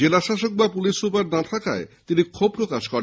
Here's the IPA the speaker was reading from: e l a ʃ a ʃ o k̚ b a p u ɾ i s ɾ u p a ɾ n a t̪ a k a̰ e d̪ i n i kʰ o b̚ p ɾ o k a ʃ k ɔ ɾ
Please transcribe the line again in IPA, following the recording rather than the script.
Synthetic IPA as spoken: e l a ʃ a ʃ o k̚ b a p u l i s ɾ u p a ɾ n a t̪ʰ a k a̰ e t̪ i n i kʰ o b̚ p ɾ o k a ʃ k ɔ ɾ